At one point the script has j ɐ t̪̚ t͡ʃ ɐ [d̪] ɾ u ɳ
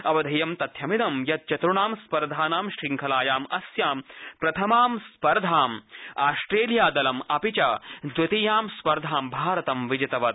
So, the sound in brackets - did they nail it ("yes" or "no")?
no